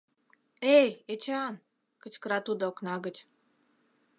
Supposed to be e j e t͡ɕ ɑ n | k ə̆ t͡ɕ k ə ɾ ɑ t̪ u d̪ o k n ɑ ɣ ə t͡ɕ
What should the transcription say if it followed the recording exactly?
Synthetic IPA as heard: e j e t͡ɕ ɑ n | k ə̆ t͡ɕ k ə ɾ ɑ t̪ u d̪ o k n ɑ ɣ ə t͡ɕ